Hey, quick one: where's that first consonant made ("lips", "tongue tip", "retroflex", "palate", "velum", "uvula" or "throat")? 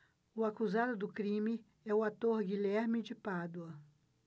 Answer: velum